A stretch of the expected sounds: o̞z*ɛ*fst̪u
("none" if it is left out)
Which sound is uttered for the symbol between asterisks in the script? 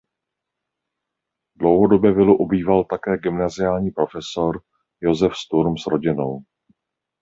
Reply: ɛ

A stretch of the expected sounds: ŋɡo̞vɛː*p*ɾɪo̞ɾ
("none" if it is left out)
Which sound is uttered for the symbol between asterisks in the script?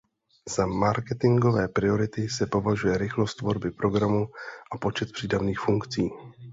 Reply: p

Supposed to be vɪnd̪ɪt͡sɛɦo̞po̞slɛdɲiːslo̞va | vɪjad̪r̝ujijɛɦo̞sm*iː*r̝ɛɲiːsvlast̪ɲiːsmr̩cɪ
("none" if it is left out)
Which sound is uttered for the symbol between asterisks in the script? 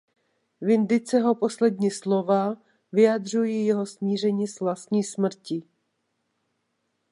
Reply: iː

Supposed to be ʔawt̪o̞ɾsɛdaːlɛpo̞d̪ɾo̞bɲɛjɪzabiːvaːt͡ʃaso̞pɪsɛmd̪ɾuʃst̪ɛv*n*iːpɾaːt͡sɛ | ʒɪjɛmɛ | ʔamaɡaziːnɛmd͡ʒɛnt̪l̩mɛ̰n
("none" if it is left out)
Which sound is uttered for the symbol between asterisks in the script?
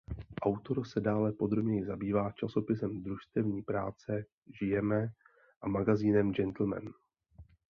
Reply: ɲ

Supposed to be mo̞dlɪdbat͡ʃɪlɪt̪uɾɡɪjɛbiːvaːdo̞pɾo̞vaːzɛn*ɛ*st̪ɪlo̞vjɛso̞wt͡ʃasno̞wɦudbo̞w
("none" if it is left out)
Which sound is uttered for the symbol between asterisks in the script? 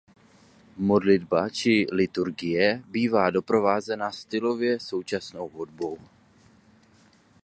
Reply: a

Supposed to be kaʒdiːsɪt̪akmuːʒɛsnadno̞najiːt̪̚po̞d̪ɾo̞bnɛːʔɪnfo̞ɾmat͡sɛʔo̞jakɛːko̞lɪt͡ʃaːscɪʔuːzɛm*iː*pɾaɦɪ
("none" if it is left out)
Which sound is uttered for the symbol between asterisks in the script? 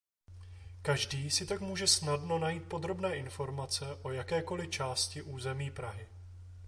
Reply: iː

